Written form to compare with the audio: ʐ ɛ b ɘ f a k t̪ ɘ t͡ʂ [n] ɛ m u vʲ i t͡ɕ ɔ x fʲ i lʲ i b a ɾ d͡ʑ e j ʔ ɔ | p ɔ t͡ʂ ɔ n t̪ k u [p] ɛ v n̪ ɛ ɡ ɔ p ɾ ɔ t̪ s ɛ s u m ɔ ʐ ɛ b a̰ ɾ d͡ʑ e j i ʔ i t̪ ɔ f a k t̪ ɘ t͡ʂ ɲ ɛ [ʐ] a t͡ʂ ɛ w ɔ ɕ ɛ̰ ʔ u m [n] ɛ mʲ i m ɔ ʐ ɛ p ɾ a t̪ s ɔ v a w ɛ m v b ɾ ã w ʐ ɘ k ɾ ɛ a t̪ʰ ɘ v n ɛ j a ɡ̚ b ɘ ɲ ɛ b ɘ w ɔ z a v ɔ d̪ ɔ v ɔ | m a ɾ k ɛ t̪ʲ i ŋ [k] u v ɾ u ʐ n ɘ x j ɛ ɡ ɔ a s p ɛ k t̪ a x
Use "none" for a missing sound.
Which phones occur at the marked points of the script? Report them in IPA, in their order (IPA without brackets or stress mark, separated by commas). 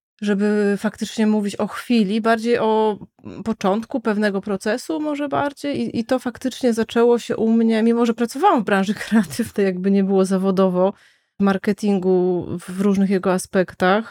ɲ, p, z, ɲ, ɡ